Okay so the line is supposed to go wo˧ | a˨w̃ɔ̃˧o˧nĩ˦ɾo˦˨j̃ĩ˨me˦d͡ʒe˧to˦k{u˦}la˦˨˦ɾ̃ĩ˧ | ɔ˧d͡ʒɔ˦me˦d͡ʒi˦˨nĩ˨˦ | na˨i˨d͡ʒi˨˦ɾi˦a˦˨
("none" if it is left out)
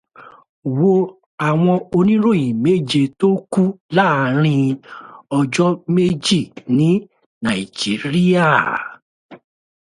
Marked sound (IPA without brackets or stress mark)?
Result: u˦